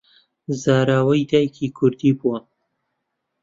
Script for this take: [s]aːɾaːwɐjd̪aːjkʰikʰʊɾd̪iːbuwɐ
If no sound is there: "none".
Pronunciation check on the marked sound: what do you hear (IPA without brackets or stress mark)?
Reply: z